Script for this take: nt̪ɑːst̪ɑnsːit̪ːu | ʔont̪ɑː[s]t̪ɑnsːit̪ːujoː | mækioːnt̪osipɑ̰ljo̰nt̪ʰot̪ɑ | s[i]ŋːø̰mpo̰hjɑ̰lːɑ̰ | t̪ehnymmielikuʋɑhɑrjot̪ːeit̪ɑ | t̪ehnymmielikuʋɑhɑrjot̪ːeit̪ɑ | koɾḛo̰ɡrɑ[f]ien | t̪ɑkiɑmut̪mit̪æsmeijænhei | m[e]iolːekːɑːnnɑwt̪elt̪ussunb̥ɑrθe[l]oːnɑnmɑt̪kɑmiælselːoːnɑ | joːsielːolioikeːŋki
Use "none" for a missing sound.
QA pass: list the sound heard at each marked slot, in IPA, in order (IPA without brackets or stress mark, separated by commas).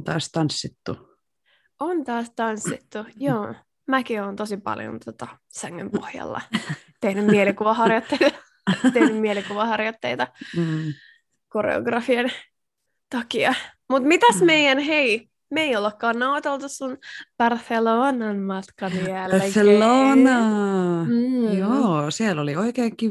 s, æ, f, e, l